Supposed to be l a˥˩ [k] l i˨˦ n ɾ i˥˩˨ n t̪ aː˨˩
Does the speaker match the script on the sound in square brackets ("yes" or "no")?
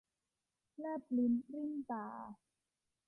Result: no